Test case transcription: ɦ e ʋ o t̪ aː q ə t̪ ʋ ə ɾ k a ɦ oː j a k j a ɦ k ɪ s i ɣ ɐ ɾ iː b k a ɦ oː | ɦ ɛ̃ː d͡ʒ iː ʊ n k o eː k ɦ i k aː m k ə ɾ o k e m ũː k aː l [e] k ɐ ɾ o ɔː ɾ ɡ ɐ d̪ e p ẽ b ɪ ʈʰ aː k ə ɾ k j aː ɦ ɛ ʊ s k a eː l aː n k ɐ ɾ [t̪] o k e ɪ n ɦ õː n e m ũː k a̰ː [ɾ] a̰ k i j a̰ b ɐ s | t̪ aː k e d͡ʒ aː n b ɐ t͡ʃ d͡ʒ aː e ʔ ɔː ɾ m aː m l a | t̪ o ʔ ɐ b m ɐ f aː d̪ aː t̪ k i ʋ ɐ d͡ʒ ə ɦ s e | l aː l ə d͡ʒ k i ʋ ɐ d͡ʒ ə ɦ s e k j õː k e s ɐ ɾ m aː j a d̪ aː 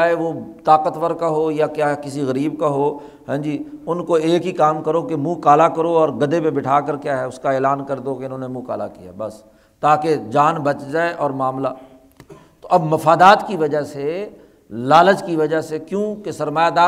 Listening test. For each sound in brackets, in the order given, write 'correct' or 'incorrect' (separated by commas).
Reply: incorrect, incorrect, incorrect